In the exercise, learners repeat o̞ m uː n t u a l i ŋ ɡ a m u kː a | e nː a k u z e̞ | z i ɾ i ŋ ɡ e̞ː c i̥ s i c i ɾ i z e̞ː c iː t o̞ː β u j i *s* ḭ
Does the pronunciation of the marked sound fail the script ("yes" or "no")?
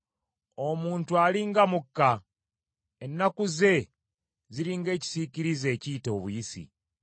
no